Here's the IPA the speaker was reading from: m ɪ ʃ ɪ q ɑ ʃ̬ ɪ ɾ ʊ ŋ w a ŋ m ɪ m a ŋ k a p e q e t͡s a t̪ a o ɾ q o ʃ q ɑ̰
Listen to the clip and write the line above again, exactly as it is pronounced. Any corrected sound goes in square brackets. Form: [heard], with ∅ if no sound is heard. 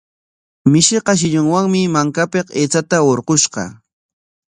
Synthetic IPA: m ɪ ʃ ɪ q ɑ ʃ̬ ɪ [ʎ] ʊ ŋ w a ŋ m ɪ m a ŋ k a p e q e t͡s a t̪ a o ɾ q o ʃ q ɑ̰

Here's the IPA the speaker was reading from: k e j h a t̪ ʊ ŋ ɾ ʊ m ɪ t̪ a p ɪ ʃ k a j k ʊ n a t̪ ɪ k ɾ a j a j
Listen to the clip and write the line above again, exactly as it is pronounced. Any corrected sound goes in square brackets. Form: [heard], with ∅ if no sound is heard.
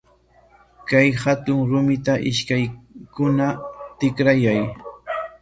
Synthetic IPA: k [a] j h a t̪ ʊ ŋ ɾ ʊ m ɪ t̪ a [ʔ] ɪ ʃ k a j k ʊ n a t̪ ɪ k ɾ a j a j

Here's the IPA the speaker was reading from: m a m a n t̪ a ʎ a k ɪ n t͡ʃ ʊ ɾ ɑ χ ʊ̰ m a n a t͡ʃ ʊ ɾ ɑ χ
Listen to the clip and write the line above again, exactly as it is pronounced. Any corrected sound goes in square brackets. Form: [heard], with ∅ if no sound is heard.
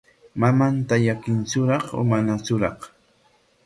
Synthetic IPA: m a m a n t̪ a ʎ a k ɪ n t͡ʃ ʊ ɾ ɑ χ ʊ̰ m a n a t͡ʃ ʊ ɾ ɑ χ

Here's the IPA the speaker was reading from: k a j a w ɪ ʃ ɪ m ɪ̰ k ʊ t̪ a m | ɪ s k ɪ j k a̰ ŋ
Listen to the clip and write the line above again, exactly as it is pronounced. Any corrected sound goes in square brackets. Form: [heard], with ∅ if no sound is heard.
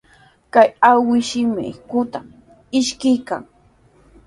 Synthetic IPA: k a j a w ɪ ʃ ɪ m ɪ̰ k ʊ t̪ a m | ɪ [ʃ] k ɪ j k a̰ ŋ

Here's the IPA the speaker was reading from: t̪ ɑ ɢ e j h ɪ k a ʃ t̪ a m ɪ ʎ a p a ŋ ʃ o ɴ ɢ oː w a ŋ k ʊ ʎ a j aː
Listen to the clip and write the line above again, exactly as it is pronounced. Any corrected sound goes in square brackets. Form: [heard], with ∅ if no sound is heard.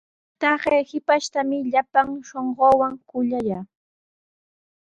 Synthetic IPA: t̪ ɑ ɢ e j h ɪ [p] a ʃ t̪ a m ɪ ʎ a p a ŋ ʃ o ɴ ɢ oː w a ŋ k ʊ ʎ a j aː

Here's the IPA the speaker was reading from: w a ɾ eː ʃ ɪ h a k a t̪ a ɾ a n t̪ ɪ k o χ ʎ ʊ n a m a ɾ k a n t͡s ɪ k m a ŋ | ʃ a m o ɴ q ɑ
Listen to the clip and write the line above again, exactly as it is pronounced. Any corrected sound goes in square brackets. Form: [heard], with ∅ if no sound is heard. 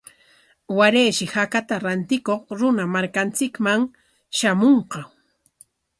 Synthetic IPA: w a ɾ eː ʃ ɪ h a k a t̪ a ɾ a n t̪ ɪ k o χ [ɾ] ʊ n a m a ɾ k a n t͡s ɪ k m a ŋ | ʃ a m o ɴ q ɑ

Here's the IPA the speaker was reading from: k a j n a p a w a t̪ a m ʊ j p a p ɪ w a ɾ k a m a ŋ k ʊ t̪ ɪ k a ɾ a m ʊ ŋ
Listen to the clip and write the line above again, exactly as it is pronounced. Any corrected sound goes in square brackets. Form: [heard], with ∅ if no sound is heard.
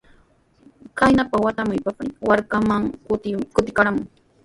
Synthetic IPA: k a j n a p a w a t̪ a m ʊ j p a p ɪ w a ɾ k a m a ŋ k ʊ t̪ ɪ k a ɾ a m ʊ ŋ

